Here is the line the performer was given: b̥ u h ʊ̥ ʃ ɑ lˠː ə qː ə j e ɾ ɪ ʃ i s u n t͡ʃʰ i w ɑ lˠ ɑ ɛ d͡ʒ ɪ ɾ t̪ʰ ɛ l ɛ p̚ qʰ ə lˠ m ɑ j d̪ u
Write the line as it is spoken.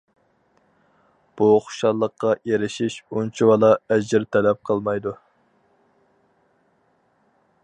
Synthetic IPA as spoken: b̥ u χ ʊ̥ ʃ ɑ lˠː ə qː ɑ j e ɾ ɪ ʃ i ʃ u n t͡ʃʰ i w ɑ lˠ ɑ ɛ d͡ʒ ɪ ɾ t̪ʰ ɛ l ɛ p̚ qʰ ə lˠ m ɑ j d̪ u

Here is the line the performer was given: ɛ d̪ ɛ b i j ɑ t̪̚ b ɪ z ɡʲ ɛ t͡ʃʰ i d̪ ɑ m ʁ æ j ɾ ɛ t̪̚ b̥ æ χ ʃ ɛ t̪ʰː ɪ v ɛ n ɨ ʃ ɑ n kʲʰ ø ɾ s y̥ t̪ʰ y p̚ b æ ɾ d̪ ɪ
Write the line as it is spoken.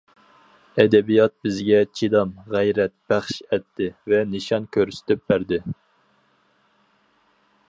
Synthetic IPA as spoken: ɛ d̪ ɛ b i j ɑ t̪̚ b ɪ z ɡʲ ɛ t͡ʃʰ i d̪ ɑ m ʁ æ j ɾ ɛ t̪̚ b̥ æ χ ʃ ɛ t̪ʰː ɪ v ɛ n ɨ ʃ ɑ n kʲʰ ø ɾ s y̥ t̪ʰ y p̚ b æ ɾ d̪ ɪ

